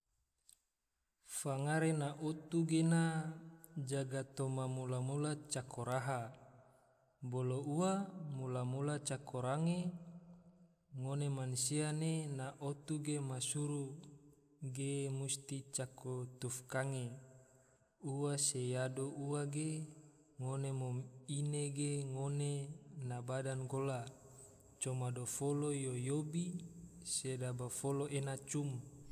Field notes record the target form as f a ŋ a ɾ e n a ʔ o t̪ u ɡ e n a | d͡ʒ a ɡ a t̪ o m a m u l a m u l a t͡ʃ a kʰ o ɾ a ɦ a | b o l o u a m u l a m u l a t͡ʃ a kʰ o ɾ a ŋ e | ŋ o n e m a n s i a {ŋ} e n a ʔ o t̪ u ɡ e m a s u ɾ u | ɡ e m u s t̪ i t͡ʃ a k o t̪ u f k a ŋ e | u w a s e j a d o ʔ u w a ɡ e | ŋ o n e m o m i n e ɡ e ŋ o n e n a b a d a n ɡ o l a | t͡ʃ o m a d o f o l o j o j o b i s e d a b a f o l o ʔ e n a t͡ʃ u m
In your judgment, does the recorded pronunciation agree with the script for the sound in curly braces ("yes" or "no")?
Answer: no